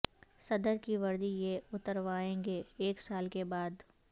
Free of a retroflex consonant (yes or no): yes